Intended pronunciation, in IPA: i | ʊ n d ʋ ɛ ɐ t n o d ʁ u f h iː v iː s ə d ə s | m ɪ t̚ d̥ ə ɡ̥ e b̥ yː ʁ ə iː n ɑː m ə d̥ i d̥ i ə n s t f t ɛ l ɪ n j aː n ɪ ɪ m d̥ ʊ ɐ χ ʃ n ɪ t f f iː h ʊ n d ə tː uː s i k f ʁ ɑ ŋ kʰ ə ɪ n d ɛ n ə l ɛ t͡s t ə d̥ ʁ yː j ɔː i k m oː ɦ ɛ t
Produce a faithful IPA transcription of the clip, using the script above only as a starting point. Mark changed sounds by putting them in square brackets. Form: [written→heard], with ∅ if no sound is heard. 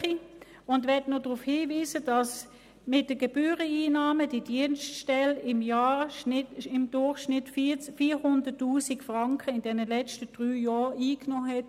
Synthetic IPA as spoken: i | ʊ n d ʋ ɛ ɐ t n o d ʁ u f h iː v iː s ə d [ə→ɑ] s | m ɪ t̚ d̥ ə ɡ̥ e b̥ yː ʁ ə iː n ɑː m ə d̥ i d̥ i ə n s t [f→ʃ] t ɛ l ɪ [n→m] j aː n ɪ ɪ m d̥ ʊ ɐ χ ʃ n ɪ t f f iː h ʊ n d ə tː uː s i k f ʁ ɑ ŋ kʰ ə ɪ n d ɛ n ə l ɛ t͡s t ə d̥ ʁ yː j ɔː [i→iː] k [m→n] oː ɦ ɛ t